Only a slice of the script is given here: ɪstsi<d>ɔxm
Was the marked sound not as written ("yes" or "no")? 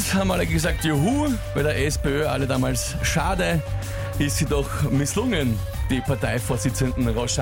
no